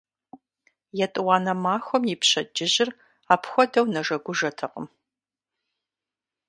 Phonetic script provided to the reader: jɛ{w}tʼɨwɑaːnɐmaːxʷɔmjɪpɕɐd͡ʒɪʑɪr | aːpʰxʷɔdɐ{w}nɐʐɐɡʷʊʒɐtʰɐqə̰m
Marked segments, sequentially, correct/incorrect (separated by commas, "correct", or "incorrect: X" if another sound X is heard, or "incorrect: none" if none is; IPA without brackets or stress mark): incorrect: none, correct